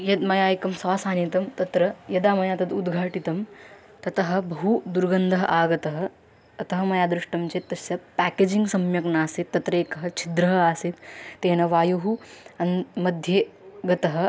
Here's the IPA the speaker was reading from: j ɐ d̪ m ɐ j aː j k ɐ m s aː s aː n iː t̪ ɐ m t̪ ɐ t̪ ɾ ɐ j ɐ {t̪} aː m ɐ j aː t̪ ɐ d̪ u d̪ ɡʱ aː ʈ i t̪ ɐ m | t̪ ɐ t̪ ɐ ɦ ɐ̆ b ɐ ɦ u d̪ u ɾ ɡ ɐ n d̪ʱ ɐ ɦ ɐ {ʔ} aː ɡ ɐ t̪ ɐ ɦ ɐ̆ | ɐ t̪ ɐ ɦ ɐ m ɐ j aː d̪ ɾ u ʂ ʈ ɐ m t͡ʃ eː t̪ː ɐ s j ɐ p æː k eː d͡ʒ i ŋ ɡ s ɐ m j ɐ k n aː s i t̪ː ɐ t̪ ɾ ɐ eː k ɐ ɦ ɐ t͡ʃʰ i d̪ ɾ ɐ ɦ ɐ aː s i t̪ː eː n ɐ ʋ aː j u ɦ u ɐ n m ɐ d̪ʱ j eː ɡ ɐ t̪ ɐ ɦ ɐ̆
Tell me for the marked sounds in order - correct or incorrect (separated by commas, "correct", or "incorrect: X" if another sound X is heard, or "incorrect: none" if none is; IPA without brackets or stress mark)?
incorrect: d̪, correct